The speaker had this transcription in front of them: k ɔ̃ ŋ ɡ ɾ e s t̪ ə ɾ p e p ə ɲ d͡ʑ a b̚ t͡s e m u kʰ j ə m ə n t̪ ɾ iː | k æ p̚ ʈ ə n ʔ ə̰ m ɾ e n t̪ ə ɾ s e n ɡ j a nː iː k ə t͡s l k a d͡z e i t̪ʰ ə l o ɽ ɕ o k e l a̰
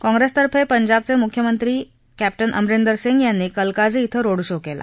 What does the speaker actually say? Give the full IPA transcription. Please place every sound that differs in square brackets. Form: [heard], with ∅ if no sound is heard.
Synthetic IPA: k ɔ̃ ŋ ɡ ɾ e s t̪ ə ɾ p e p ə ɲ d͡ʑ a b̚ t͡s e m u kʰ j ə m ə n t̪ ɾ iː | k æ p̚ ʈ ə n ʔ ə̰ m ɾ e n [d̪] ə ɾ s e [ŋ] ɡ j a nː iː k ə [∅] l k a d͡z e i t̪ʰ ə [ɾ] o ɽ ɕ o k e l a̰